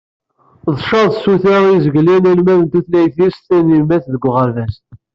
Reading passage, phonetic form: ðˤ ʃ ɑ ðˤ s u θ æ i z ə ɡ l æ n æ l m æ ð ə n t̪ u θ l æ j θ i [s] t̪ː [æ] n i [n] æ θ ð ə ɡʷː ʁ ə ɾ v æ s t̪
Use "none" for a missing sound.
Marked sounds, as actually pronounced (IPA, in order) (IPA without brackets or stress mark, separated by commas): s, æ, m